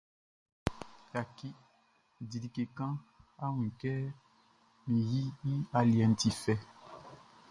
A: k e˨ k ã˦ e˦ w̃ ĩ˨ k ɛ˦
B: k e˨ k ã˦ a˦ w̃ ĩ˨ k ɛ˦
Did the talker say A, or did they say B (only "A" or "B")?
B